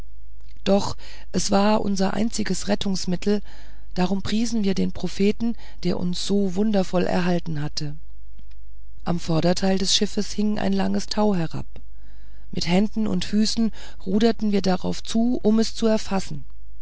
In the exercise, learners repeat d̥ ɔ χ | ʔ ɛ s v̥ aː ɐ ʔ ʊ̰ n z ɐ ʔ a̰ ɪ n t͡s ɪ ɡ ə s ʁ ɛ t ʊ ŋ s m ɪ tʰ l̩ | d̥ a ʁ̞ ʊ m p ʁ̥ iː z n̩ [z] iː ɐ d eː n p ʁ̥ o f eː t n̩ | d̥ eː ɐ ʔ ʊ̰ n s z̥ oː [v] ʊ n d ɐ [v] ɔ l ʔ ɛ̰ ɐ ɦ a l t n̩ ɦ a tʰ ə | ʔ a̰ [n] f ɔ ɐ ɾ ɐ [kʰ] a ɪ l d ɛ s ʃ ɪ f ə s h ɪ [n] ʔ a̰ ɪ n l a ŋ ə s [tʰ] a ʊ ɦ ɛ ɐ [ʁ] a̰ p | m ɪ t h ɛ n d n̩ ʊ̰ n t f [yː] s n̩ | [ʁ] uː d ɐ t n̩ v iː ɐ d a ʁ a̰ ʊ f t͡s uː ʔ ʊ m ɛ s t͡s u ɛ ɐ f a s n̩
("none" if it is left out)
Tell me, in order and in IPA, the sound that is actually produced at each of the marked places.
v, v, f, m, tʰ, ŋ, tʰ, ʁ, yː, ʁ

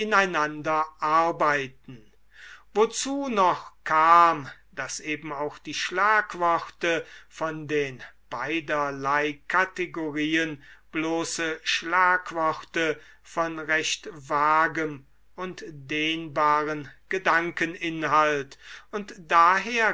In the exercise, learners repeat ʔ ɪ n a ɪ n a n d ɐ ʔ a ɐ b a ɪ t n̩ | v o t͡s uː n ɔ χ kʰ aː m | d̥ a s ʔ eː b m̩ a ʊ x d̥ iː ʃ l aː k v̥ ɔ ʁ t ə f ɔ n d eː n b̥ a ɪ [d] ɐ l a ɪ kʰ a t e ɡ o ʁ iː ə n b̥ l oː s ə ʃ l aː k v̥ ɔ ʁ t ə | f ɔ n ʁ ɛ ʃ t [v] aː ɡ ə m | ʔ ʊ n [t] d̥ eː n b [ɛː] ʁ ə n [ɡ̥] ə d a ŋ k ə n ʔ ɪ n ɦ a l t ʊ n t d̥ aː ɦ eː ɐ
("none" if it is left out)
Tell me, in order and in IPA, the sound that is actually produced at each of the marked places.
d, v, t, aː, ɡ̥

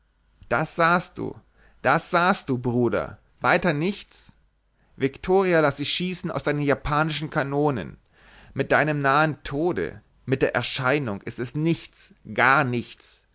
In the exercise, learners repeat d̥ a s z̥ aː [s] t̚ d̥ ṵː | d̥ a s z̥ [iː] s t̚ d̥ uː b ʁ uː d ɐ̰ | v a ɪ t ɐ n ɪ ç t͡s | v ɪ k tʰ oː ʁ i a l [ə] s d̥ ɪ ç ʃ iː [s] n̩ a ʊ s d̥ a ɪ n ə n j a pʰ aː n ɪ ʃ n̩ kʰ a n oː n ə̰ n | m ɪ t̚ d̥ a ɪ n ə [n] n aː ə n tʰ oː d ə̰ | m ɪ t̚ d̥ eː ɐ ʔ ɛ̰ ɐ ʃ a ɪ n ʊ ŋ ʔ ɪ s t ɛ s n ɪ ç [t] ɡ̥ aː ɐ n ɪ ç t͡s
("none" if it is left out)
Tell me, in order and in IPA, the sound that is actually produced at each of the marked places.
s, aː, a, s, m, t͡s

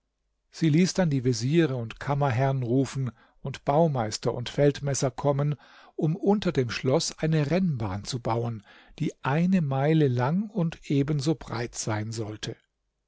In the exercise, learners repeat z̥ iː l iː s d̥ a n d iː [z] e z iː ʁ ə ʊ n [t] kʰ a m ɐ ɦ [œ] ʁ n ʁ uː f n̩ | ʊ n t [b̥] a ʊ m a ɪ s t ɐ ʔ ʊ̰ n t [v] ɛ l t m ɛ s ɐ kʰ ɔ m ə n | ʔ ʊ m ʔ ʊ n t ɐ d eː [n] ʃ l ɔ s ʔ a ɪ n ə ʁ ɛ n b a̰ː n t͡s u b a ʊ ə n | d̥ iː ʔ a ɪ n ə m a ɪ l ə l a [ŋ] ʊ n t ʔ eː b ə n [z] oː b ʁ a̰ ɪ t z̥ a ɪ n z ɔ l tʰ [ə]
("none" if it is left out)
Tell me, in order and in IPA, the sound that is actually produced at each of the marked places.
v, t, ɛ, b̥, f, m, ŋ, z, ə

